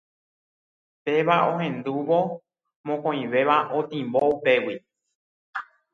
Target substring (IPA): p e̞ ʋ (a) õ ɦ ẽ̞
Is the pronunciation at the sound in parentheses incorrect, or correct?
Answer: correct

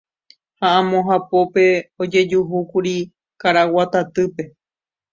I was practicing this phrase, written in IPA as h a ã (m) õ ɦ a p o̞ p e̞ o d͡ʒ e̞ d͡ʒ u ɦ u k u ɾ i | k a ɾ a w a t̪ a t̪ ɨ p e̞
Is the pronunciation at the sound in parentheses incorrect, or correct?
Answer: correct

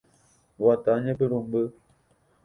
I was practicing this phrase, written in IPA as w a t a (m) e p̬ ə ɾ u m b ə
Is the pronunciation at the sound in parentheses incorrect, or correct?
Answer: incorrect: ɲ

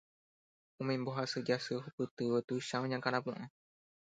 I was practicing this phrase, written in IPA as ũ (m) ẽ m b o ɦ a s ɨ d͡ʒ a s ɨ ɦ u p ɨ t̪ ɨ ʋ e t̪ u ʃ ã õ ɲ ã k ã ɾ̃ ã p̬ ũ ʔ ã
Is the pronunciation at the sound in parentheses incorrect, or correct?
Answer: correct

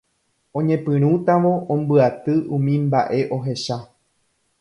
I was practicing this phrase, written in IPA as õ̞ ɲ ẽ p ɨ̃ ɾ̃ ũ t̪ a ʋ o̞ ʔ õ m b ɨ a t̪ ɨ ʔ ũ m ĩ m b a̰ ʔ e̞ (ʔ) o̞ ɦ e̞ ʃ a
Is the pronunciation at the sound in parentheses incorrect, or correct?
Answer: correct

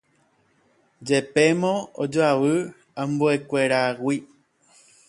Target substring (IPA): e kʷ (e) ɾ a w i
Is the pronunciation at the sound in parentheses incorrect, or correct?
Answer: correct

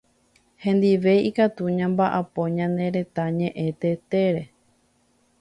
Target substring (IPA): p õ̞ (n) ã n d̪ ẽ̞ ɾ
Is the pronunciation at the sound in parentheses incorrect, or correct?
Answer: incorrect: ɲ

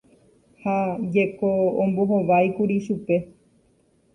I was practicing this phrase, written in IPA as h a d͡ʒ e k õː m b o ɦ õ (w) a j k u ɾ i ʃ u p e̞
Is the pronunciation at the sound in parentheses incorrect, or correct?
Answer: incorrect: ʋ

